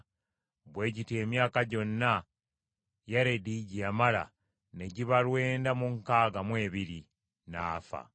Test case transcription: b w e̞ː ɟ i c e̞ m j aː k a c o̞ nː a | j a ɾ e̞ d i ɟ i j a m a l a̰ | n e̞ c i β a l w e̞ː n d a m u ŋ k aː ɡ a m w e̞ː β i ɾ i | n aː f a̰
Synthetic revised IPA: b w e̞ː ɟ i t e̞ m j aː k a ɟ o̞ nː a | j a ɾ e̞ d i ɟ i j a m a l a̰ | n e̞ ɟ i β a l w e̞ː n d a m u ŋ k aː ɡ a m w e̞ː β i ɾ i | n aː f a̰